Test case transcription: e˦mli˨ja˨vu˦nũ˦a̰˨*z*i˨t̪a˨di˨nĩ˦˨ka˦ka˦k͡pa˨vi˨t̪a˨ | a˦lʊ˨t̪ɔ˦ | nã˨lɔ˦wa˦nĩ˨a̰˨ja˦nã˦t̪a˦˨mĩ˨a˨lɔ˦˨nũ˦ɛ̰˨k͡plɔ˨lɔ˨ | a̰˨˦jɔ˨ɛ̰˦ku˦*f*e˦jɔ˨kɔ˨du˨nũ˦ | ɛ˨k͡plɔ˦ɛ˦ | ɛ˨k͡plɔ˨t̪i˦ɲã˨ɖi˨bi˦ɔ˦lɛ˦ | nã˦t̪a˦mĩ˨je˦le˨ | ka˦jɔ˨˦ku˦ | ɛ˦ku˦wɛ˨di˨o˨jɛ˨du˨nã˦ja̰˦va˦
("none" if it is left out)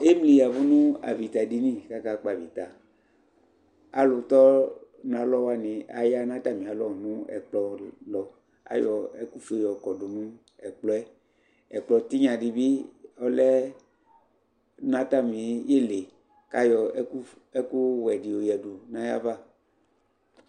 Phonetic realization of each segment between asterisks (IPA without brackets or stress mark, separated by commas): v, f